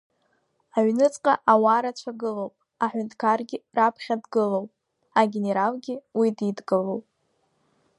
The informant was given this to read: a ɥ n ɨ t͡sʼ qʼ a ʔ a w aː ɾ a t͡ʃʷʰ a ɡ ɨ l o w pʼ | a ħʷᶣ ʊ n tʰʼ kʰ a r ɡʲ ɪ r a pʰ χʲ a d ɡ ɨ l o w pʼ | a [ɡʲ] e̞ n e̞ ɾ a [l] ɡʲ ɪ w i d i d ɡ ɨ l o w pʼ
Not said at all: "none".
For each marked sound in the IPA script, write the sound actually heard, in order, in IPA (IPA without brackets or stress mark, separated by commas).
ɡʲ, l